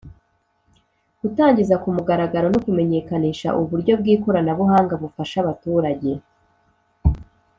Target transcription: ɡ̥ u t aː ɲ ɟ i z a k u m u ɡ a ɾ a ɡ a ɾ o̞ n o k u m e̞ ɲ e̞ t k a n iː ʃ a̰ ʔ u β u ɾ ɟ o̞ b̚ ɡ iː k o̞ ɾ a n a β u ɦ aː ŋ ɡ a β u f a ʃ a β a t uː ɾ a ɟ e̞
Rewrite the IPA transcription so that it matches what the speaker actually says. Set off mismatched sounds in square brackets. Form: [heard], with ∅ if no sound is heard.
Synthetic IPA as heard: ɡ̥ u t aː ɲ ɟ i z a k u m u ɡ a ɾ a ɡ a ɾ o̞ n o k u m e̞ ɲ e̞ [∅] k a n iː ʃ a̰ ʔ u β u ɾ ɟ o̞ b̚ ɡ iː k o̞ ɾ a n a β u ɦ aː ŋ ɡ a β u f a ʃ a β a t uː ɾ a ɟ e̞